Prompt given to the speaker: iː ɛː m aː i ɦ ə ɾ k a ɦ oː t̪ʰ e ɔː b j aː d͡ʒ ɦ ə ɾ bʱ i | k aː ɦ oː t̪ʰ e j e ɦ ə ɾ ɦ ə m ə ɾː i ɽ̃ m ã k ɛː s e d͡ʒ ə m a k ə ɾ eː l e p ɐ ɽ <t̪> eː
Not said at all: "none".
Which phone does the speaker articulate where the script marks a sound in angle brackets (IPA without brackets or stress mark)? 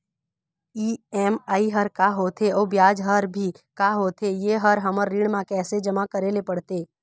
t̪